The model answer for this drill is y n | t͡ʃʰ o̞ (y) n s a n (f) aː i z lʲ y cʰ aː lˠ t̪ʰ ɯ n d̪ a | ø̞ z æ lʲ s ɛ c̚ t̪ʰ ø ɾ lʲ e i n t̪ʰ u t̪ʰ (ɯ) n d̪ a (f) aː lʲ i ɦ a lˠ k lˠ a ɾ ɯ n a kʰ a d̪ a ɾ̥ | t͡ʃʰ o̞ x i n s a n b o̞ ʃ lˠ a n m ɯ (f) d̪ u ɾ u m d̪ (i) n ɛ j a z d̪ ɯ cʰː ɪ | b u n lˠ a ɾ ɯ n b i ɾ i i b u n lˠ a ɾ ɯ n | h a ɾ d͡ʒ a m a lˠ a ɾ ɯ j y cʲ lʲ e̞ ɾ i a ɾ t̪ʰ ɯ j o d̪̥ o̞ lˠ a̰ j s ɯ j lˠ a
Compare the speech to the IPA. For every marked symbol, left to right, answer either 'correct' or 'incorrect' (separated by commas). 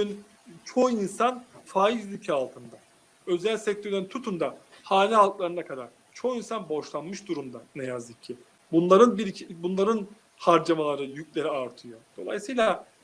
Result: incorrect, correct, incorrect, incorrect, incorrect, incorrect